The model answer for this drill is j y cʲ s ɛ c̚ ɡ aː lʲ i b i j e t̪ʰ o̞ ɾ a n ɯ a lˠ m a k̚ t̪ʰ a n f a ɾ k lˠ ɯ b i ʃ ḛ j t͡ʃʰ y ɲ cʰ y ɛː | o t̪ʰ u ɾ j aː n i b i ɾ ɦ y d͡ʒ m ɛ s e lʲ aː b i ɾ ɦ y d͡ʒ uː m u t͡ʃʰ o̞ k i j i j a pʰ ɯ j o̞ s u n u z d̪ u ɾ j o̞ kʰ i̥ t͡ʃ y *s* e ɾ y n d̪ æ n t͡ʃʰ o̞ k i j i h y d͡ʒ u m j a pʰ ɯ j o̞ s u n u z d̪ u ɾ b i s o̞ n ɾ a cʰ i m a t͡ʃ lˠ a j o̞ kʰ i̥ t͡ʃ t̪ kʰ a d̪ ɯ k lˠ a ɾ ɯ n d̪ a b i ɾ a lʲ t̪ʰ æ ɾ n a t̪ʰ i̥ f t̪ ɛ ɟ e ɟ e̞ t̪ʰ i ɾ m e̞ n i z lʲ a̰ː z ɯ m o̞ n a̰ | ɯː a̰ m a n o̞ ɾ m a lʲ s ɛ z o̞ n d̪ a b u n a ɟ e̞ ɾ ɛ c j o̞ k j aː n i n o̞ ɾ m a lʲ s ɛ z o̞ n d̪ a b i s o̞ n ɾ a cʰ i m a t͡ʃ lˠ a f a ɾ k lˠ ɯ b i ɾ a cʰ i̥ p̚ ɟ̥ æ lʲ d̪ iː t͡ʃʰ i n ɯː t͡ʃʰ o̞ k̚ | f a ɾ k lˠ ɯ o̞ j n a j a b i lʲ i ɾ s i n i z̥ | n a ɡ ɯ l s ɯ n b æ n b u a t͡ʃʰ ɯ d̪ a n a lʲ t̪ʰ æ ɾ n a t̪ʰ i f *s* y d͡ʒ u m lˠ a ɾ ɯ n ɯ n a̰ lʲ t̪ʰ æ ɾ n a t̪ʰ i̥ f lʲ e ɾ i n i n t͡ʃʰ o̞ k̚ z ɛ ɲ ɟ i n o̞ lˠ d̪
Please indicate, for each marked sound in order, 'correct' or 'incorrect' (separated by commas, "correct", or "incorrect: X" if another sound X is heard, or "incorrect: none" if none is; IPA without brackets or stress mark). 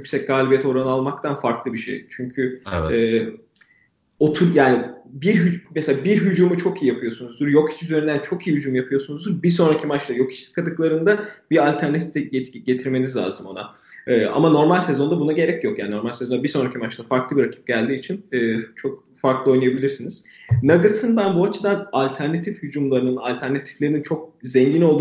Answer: incorrect: z, incorrect: h